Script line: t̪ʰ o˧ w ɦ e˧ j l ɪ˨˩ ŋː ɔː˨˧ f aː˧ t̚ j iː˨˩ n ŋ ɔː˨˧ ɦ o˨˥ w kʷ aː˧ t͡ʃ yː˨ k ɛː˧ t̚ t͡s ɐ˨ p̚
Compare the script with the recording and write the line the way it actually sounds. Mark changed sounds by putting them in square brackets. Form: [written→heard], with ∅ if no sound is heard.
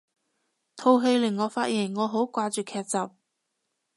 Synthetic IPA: t̪ʰ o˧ w ɦ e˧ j l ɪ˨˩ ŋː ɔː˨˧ f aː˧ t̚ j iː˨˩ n ŋ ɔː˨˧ ɦ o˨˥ w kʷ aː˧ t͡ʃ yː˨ [k→kʰ] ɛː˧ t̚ t͡s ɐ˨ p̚

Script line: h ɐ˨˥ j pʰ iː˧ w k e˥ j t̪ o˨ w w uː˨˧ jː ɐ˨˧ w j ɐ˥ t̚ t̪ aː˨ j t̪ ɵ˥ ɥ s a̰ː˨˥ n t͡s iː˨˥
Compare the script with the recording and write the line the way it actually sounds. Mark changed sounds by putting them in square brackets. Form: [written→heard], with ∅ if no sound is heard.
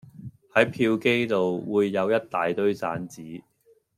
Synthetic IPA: h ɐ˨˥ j pʰ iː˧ w k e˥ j t̪ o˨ w w uː˨˧ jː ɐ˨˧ w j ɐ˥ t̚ t̪ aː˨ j t̪ ɵ˥ ɥ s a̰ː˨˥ n t͡s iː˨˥

